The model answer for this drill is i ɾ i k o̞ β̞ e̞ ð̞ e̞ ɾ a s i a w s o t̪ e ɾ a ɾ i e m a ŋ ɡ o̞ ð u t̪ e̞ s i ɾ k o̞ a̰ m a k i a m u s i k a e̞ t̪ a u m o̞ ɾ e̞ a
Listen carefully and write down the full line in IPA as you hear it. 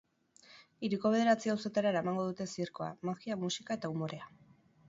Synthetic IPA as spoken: i ɾ i k o̞ β̞ e̞ ð̞ e̞ ɾ a t͡s i a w s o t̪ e ɾ a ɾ a e m a ŋ ɡ o̞ ð u t̪ e̞ s i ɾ k o̞ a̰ m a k i a m u s i k a e̞ t̪ a u m o̞ ɾ e̞ a